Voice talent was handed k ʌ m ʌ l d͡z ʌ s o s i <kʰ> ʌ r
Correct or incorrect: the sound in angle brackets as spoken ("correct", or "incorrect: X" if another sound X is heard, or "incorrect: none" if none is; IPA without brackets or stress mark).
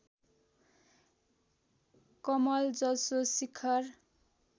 correct